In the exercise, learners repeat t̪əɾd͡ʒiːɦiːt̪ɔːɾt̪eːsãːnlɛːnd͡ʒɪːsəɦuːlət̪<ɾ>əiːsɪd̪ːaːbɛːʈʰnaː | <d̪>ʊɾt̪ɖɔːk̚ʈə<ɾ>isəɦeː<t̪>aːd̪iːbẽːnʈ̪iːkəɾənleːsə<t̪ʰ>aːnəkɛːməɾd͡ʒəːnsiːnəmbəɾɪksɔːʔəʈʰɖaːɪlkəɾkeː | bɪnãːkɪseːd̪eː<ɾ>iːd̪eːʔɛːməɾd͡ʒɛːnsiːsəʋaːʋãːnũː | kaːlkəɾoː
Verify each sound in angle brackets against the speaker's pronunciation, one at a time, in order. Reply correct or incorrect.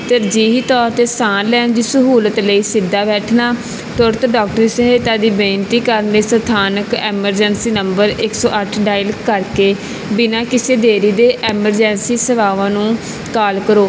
incorrect, incorrect, correct, correct, correct, correct

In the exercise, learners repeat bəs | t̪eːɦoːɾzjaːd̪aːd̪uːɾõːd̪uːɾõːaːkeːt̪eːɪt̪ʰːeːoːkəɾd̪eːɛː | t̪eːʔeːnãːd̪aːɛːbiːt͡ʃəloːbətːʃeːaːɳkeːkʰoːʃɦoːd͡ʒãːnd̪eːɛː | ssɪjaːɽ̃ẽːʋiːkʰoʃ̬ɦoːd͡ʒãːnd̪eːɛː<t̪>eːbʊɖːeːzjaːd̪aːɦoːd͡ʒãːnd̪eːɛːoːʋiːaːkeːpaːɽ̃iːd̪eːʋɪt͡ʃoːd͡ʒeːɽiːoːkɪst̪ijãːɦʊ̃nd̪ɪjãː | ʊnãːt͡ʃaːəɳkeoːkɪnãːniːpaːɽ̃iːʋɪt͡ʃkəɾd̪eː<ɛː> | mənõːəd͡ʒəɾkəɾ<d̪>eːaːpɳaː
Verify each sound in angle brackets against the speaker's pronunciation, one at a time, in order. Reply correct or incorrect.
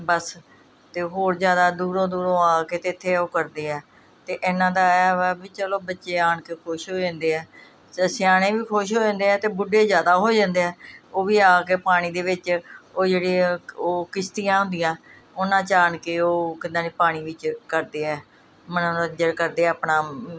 correct, correct, correct

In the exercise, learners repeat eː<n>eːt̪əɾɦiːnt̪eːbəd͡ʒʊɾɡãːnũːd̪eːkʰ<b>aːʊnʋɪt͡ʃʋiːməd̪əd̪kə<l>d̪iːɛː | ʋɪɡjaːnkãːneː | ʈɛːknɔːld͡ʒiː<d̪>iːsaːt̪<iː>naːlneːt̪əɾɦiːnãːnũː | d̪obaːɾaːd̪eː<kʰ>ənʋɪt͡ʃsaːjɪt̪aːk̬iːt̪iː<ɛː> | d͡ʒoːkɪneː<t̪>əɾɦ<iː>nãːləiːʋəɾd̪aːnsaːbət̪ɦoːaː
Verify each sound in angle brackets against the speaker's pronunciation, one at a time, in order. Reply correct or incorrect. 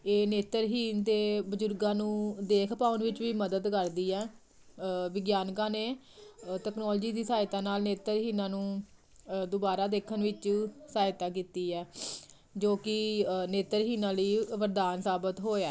correct, incorrect, incorrect, correct, incorrect, correct, correct, correct, correct

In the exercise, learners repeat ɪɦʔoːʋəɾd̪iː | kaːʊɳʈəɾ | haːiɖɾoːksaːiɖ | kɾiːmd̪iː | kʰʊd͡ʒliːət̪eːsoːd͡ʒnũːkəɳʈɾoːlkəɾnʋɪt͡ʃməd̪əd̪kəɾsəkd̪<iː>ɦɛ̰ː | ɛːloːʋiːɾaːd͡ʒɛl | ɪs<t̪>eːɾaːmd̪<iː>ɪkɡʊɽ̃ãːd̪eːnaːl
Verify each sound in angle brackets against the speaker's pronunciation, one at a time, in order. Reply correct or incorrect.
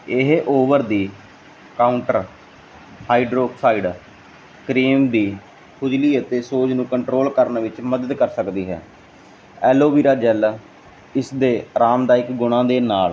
correct, incorrect, incorrect

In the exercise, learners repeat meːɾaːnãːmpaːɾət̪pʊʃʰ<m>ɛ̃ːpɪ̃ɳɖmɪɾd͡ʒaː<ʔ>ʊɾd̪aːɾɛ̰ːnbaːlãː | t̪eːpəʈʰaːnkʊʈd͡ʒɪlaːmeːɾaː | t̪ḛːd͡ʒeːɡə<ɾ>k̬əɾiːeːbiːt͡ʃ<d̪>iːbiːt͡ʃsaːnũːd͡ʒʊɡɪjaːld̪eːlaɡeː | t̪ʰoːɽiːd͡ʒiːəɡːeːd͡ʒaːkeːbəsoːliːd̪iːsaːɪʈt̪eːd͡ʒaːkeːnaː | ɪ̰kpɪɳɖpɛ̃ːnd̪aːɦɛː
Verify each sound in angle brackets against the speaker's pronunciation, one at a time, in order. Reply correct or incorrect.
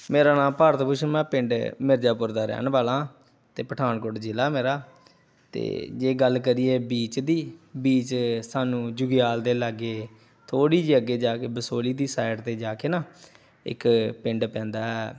correct, incorrect, incorrect, correct

